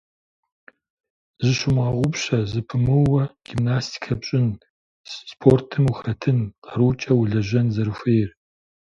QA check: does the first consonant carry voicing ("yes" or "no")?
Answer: yes